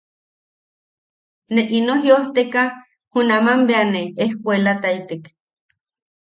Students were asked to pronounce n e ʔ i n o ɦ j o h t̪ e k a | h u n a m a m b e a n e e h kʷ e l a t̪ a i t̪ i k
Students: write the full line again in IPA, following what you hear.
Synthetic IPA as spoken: n e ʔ i n o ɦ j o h t̪ e k a | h u n a m a m b e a n e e h kʷ e l a t̪ a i t̪ e k